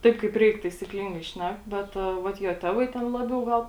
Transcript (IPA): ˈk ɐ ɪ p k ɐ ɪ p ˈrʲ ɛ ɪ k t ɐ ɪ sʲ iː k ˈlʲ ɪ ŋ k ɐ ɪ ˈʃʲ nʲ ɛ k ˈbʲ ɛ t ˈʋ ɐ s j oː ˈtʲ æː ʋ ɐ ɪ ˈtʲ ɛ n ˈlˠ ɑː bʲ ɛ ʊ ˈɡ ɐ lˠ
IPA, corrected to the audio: ˈt ɐ ɪ p k ɐ ɪ p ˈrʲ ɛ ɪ k t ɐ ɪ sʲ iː k ˈlʲ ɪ ŋ ɡ ɐ ɪ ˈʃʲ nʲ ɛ k ˈbʲ ɛ t ˈʋ ɐ t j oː ˈtʲ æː ʋ ɐ ɪ ˈtʲ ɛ n ˈlˠ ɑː bʲ ɛ ʊ ˈɡ ɐ lˠ